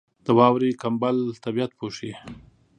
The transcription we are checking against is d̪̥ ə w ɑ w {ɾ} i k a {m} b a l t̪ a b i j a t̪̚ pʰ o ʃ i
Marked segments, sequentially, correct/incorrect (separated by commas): correct, correct